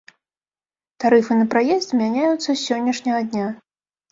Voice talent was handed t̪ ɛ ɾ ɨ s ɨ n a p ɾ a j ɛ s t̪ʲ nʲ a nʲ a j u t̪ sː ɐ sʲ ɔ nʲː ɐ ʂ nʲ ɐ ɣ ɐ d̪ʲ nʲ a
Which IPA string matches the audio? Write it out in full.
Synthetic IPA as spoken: t̪ a ɾ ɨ f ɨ n ɐ p ɾ a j ɛ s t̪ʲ mʲ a nʲ a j u t̪ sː ɐ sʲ ɔ nʲː ɐ ʂ nʲ ɐ ɣ ɐ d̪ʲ nʲ a